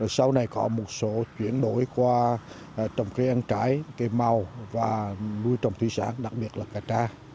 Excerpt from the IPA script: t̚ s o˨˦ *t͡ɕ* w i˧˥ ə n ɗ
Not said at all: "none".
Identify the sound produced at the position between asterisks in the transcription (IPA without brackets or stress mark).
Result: t͡ɕ